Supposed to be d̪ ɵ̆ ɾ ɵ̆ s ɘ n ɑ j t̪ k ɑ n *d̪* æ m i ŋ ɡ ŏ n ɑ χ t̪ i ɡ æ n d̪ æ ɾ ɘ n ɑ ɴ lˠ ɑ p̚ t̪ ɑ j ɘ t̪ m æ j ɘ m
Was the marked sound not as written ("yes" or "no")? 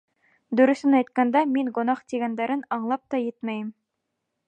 no